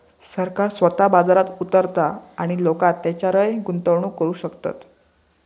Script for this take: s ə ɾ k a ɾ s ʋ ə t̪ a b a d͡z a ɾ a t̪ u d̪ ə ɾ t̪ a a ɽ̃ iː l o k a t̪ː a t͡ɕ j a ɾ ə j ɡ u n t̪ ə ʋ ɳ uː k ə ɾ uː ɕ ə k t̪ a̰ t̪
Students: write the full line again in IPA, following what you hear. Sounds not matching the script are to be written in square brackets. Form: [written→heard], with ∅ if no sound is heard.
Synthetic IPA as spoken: s ə ɾ k a ɾ s ʋ ə t̪ a b a d͡z a ɾ a t̪ u [d̪→t̪] ə ɾ t̪ a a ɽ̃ [iː→i] l o k a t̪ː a t͡ɕ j a ɾ ə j ɡ u n t̪ ə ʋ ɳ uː k ə ɾ uː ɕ ə k t̪ a̰ t̪

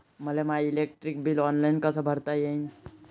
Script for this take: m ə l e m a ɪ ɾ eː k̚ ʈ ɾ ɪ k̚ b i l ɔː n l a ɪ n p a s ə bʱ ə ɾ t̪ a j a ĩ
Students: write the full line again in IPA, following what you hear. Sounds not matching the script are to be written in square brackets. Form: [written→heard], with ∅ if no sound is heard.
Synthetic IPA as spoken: m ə l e m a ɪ [ɾ→l] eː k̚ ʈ ɾ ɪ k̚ b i l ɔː n l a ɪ n [p→k] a s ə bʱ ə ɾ t̪ a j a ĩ

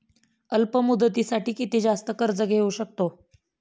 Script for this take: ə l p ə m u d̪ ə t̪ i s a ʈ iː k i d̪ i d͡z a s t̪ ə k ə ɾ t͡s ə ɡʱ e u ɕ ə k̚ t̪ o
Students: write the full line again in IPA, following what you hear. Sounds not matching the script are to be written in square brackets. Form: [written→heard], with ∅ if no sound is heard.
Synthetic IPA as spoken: ə l p ə m u d̪ ə t̪ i s a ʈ iː k i [d̪→t̪] i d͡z a s t̪ ə k ə ɾ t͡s ə ɡʱ e u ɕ ə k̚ t̪ o

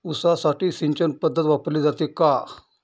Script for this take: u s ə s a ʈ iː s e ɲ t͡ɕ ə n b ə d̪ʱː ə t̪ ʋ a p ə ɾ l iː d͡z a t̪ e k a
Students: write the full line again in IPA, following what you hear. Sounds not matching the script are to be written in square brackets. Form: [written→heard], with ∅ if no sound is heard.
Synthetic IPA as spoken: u s [ə→a] s a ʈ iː s [e→i] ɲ t͡ɕ ə n [b→p] ə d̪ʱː ə t̪ ʋ a p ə ɾ l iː d͡z a t̪ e k a

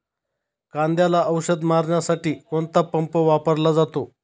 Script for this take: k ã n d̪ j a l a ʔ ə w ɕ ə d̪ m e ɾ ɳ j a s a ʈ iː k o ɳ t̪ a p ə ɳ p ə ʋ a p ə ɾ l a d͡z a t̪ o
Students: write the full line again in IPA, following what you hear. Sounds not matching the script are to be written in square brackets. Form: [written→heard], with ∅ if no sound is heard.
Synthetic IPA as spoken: k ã n d̪ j a l a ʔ ə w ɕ ə d̪ m [e→a] ɾ ɳ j a s a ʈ iː k o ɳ t̪ a p ə [ɳ→m] p ə ʋ a p ə ɾ l a d͡z a t̪ o

